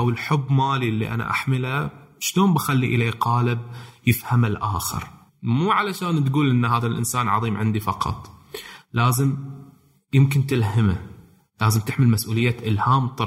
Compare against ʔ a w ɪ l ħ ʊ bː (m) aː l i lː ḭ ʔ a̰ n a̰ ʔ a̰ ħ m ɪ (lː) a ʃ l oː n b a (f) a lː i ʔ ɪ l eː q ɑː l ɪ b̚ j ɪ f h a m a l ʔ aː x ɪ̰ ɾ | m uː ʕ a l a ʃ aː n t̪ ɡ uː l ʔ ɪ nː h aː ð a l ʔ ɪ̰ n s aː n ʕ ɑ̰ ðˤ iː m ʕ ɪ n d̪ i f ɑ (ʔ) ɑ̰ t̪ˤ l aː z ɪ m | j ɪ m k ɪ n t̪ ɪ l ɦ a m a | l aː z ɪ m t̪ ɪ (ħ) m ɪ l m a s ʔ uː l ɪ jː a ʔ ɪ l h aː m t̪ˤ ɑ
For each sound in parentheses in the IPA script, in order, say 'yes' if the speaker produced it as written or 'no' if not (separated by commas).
yes, no, no, no, yes